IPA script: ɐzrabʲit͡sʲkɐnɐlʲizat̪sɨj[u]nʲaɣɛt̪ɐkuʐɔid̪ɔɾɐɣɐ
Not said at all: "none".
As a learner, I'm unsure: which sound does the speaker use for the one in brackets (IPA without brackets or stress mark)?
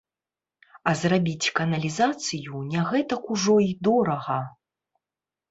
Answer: u